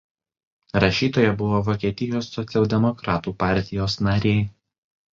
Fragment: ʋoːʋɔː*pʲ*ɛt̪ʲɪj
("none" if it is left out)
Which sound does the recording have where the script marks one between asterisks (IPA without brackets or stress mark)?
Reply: kʲ